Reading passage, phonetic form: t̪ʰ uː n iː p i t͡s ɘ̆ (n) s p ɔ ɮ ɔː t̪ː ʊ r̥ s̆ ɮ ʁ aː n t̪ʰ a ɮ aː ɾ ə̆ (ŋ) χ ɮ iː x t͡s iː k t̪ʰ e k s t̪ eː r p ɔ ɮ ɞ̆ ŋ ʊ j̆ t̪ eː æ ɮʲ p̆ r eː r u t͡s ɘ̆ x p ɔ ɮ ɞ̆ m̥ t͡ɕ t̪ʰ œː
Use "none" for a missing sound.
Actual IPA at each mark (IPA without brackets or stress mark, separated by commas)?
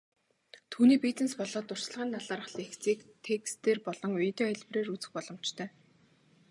n, none